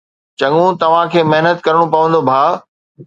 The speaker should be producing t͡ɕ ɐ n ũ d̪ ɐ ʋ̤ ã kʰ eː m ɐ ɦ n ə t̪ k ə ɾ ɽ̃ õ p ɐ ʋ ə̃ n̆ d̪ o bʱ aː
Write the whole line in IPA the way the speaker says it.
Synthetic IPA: t͡ɕ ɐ ŋ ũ t̪ ɐ ʋ̤ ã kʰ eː m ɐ ɦ n ə t̪ k ɐ ɾ ɽ̃ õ p ɐ ʋ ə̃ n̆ d̪ o bʱ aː